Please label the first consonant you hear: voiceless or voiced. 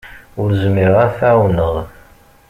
voiced